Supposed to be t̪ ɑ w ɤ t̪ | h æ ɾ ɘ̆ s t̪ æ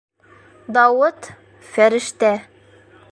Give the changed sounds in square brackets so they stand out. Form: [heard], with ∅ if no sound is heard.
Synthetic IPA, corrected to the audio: [d̪] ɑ w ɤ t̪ | [f] æ ɾ ɘ̆ [ʃ] t̪ æ